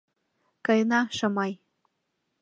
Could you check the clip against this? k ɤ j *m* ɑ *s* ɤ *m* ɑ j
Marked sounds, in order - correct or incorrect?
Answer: incorrect: n, incorrect: ʃ, correct

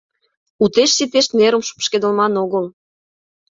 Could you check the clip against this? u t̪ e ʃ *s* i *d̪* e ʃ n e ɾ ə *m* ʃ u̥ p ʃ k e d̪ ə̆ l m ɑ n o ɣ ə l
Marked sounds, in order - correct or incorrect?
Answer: correct, incorrect: t̪, correct

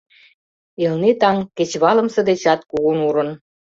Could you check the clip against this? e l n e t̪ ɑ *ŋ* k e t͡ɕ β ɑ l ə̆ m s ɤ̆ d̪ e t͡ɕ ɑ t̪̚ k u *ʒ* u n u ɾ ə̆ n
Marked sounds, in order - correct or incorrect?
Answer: correct, incorrect: ɣ

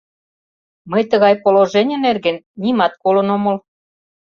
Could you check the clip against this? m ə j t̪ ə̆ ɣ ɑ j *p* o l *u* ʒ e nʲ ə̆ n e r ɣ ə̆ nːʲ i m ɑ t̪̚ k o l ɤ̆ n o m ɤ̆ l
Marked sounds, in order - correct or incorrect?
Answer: correct, incorrect: o

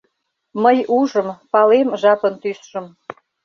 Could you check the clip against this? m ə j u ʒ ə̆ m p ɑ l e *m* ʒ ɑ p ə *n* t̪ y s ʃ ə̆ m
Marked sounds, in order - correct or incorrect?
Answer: correct, correct

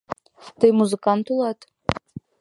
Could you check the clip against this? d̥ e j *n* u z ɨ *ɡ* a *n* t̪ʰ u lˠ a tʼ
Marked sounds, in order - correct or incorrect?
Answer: incorrect: m, incorrect: k, correct

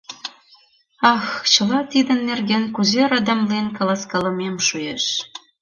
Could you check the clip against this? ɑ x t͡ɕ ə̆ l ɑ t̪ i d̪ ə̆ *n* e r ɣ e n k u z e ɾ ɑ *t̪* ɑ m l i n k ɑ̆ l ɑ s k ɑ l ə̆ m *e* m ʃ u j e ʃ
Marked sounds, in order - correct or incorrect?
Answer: incorrect: nː, incorrect: d̪, correct

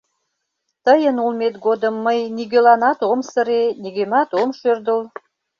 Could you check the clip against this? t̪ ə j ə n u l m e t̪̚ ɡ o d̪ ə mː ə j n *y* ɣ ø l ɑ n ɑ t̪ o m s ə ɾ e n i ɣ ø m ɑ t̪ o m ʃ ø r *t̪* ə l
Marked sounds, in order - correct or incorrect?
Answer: incorrect: i, incorrect: d̪

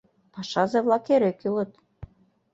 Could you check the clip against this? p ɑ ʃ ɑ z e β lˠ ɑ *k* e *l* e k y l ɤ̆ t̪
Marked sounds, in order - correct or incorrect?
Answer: correct, incorrect: ɾ

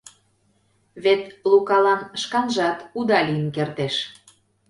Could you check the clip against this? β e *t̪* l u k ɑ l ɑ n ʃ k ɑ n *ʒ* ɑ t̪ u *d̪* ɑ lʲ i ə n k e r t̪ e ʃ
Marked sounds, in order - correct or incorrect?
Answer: correct, correct, correct

